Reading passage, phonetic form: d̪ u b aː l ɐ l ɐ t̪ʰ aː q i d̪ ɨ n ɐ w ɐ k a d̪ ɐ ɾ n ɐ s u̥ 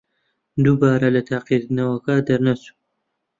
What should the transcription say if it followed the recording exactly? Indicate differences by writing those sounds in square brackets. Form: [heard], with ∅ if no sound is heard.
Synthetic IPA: d̪ u b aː [ɾ] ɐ l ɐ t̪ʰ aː q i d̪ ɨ n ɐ w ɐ k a d̪ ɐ ɾ n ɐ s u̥